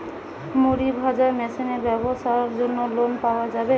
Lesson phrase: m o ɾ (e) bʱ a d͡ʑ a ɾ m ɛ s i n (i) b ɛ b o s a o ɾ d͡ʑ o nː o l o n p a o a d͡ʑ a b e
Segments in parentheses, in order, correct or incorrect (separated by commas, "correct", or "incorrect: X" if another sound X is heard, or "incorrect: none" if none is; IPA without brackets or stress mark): incorrect: i, incorrect: e